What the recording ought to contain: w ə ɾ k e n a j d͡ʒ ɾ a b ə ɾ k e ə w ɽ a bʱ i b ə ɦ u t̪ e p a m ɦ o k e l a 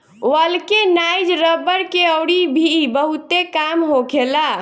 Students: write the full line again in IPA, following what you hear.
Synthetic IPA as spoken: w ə l k e n a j d͡ʒ ɾ ə b ə ɾ k e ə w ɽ i bʱ i b ə ɦ u t̪ e k a m ɦ o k e l a